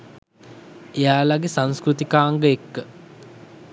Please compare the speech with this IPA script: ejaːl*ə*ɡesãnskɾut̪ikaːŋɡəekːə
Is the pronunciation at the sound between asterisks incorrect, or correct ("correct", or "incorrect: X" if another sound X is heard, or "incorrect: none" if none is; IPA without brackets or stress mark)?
incorrect: a